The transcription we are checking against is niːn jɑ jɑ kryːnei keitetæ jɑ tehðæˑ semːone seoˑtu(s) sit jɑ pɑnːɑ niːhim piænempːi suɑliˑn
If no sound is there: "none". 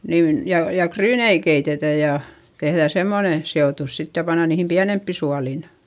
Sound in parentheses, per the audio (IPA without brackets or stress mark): s